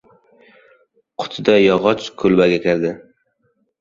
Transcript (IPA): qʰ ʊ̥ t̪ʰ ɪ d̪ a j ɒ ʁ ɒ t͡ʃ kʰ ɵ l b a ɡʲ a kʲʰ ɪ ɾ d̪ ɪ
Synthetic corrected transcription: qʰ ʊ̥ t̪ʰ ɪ d̪ a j ɒ ʁ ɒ t͡ʃ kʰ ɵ l b a ɡʲ a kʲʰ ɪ ɾ d̪ ɪ